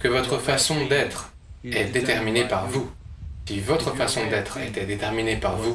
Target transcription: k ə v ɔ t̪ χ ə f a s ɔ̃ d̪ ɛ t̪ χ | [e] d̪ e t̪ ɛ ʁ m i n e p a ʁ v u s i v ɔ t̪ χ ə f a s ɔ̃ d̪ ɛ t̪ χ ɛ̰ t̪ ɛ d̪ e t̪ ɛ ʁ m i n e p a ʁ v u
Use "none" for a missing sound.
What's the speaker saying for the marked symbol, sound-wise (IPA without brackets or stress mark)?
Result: ɛ